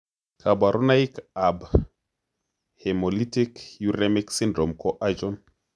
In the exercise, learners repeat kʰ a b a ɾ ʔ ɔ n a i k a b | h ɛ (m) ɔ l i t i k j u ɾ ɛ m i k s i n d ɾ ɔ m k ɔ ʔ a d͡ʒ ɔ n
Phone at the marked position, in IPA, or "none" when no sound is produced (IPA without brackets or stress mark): m